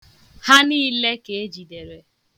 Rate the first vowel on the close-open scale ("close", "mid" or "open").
open